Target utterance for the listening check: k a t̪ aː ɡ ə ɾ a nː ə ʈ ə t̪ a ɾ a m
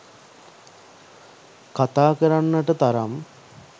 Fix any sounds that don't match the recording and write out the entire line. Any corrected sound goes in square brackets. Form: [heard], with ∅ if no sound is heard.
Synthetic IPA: k a t̪ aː [k] ə ɾ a nː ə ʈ ə t̪ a ɾ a m